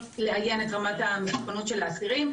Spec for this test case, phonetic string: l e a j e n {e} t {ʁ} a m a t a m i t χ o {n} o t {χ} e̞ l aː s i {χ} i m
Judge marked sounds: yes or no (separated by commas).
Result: yes, yes, yes, no, no